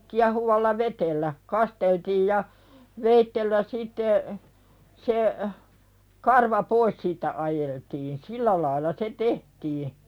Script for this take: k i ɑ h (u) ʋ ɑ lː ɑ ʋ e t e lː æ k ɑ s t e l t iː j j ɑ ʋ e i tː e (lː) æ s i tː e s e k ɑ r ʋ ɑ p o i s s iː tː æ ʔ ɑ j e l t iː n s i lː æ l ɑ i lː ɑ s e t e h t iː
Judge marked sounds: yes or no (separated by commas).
yes, yes